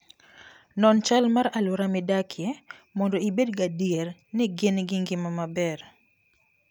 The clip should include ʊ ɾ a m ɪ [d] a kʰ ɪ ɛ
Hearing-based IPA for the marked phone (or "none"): d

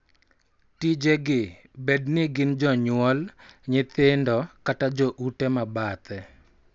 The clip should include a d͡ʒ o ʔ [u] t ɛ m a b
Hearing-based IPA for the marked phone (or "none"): u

